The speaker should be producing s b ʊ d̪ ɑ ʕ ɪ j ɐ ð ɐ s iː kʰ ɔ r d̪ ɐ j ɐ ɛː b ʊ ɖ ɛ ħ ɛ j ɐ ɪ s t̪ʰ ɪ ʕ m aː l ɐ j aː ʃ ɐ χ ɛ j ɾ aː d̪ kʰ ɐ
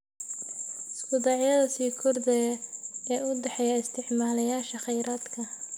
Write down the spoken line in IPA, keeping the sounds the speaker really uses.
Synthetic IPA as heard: s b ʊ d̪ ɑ ʕ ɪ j ɐ ð ɐ s iː kʰ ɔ r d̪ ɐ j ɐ ɛː ʊ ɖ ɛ ħ ɛ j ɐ ɪ s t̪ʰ ɪ ʕ m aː l ɐ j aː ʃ ɐ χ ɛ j ɾ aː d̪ kʰ ɐ